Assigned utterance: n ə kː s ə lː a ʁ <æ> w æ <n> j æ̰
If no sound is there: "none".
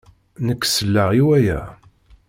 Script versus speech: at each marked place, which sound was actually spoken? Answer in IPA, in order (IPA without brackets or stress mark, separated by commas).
i, none